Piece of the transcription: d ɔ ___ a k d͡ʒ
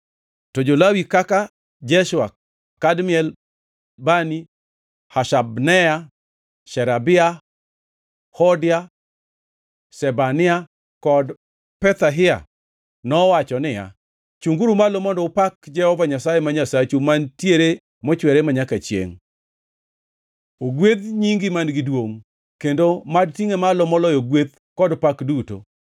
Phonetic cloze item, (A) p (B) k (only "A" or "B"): A